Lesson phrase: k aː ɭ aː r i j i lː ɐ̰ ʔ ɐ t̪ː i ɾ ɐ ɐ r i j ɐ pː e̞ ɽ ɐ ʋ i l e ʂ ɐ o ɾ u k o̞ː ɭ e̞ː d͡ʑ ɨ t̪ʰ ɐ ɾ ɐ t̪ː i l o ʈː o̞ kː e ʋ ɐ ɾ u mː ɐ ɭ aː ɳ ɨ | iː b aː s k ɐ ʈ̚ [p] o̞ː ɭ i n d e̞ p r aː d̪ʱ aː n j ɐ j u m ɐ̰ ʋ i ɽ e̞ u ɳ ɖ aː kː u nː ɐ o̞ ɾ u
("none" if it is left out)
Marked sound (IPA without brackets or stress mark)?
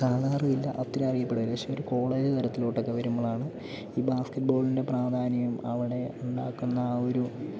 b